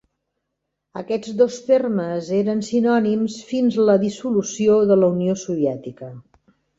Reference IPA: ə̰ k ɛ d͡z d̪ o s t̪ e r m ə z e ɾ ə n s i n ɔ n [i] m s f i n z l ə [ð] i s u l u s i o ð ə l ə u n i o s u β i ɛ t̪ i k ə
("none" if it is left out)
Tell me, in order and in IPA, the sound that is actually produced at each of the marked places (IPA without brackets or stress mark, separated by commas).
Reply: i, ð